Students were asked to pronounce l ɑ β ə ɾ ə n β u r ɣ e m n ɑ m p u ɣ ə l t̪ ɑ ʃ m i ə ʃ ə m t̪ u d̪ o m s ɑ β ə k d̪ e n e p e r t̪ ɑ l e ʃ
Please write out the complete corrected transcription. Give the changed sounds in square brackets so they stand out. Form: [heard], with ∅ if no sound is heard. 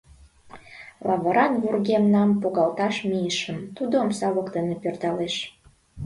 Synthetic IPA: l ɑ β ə ɾ [ɑ] n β u r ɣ e m n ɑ m p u ɣ [ɑ] l t̪ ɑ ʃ m i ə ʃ ə m t̪ u d̪ o m s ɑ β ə k d̪ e n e p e r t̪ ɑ l e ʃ